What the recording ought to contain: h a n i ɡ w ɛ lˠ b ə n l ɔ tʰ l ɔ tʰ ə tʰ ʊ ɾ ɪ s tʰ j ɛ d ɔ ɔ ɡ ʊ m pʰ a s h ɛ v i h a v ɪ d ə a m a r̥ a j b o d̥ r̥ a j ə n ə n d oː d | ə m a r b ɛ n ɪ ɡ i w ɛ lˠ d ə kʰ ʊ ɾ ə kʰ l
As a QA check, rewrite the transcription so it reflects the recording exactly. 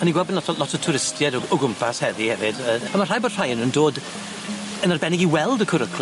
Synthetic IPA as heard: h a n i ɡ w ɛ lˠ b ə n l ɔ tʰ l ɔ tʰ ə tʰ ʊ ɾ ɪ s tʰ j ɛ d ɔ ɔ ɡ ʊ m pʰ a s h ɛ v i h ɛ v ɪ d ə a m a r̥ a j b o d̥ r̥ a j ə n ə n d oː d | ə n a r b ɛ n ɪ ɡ i w ɛ lˠ d ə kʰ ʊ ɾ ə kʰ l